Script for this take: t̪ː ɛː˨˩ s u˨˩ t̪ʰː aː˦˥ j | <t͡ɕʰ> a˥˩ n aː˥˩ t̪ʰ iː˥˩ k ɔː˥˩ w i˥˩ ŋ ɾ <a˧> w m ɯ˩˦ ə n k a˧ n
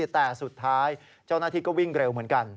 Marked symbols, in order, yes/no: no, no

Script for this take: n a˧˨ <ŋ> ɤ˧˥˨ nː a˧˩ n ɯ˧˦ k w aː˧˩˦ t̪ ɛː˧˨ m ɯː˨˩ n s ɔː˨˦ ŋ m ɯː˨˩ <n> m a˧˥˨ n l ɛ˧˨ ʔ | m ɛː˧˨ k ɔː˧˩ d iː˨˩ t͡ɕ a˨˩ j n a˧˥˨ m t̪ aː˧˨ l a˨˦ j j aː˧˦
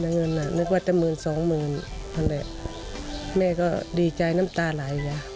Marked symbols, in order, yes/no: yes, yes

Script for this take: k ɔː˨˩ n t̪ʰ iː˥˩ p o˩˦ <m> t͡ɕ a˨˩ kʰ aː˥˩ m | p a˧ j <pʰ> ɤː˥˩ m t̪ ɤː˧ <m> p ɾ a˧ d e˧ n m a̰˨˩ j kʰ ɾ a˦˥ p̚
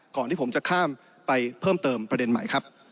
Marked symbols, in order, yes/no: yes, yes, yes

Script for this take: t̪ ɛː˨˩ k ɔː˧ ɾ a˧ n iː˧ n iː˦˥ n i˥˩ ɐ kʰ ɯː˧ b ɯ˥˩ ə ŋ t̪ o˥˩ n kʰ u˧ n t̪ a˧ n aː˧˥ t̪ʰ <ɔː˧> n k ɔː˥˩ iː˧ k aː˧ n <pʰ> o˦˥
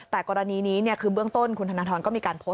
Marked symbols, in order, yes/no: yes, yes

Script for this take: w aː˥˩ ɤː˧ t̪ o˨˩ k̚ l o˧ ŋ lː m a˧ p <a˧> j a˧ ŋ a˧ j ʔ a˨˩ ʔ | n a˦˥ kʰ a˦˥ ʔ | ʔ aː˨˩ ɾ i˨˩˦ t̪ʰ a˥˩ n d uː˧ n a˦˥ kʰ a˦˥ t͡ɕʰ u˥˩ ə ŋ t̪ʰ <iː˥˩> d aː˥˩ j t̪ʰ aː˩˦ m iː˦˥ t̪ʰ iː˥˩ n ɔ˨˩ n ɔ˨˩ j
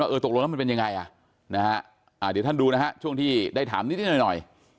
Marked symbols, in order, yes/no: no, yes

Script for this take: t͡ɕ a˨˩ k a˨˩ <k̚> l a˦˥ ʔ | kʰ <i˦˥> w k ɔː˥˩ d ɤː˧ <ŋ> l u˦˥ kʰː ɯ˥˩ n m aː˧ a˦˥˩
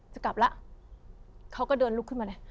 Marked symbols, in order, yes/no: no, no, no

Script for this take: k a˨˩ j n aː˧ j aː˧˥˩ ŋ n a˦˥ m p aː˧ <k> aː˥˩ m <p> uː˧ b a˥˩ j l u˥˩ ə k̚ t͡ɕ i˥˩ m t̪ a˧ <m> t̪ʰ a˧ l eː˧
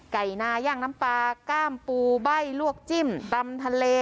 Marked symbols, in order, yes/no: yes, yes, yes

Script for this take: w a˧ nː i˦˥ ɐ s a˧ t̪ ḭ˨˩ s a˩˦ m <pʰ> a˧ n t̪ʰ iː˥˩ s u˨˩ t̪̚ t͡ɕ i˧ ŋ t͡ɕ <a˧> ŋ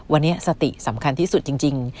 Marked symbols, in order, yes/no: no, no

